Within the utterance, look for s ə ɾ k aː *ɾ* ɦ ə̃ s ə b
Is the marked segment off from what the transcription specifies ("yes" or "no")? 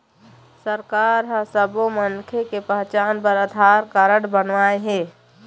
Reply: no